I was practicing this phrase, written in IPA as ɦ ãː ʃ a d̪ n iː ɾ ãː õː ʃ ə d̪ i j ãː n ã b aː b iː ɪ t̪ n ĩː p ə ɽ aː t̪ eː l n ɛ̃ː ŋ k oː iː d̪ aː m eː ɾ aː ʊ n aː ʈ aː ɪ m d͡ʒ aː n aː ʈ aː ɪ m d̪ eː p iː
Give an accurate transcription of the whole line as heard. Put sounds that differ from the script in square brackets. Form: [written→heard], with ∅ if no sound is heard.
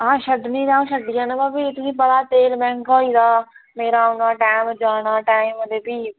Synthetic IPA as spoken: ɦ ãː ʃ [a→ə] d̪ n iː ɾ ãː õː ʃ ə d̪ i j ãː n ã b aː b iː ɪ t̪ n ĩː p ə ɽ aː t̪ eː l [n→m] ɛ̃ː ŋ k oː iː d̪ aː m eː ɾ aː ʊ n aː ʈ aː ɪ m d͡ʒ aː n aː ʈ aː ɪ m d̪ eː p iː